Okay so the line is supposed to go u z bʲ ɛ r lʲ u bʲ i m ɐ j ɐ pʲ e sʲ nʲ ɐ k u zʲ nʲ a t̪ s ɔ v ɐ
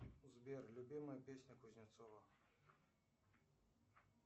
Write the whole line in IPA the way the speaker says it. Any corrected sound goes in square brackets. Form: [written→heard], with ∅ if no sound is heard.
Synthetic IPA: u z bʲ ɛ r lʲ u bʲ i m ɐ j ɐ pʲ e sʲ nʲ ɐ k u zʲ nʲ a t̪ s ɔ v ɐ